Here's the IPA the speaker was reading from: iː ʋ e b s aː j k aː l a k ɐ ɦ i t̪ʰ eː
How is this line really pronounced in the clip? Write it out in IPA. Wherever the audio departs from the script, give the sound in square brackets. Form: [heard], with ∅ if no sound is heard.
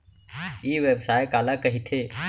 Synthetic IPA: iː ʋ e b s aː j k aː l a k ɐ ɦ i t̪ʰ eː